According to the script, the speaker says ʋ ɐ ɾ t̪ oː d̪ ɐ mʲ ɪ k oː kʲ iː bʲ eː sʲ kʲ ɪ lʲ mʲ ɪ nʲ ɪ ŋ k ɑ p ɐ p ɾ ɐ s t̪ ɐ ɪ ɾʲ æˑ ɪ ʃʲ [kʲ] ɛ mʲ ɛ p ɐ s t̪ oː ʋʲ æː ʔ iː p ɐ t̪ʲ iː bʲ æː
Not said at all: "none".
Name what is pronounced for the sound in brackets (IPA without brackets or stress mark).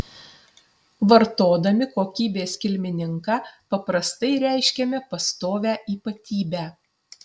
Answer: kʲ